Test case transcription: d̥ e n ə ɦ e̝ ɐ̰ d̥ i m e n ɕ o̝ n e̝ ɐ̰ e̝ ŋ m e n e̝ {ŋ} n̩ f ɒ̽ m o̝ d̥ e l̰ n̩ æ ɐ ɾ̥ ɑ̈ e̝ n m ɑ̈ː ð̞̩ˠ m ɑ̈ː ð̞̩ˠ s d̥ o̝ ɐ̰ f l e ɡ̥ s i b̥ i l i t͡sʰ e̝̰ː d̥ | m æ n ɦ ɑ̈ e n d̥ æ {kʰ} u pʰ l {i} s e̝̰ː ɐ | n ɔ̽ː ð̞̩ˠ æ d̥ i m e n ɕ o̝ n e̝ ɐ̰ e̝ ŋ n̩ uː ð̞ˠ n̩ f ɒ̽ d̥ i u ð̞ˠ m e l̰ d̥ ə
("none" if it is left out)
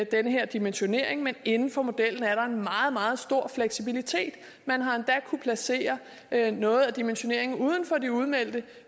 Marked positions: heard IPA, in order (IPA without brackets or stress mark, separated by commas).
n, kʰ, æ